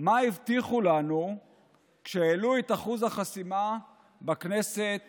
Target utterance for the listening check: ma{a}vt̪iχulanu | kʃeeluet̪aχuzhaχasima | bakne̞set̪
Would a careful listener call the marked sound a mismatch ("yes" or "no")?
yes